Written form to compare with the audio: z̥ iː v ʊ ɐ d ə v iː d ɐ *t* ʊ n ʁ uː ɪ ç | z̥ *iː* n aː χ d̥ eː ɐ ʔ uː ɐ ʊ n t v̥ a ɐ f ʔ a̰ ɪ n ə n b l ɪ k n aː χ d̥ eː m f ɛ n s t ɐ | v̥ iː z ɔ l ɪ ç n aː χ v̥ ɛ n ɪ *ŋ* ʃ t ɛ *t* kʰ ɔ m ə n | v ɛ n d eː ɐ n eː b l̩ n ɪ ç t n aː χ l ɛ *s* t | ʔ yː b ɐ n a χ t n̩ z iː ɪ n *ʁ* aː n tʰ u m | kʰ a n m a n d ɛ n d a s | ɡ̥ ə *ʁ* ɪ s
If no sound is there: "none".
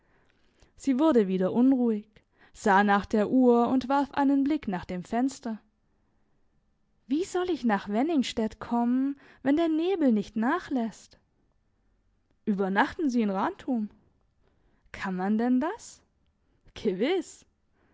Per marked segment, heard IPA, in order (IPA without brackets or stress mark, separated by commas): ʔ, aː, ŋ, t, s, ʁ, v